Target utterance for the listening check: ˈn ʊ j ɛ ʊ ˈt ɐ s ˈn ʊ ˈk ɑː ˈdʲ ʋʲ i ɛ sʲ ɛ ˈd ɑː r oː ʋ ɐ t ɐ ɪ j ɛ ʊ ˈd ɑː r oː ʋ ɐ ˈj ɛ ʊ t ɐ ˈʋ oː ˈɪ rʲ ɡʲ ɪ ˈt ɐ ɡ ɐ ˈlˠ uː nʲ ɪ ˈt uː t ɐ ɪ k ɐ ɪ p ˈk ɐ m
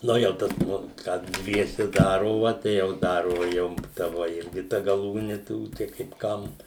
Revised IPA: ˈn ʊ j ɛ ʊ ˈt ɐ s ˈn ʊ ˈk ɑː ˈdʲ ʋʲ i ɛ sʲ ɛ ˈd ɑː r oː ʋ ɐ t ɐ ɪ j ɛ ʊ ˈd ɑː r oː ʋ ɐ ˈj ɛ ʊ t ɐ ˈʋ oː ˈɪ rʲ ɡʲ ɪ ˈt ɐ ɡ ɐ ˈlˠ uː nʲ ɪ ˈt uː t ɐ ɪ k ɐ ɪ p ˈk ɐ m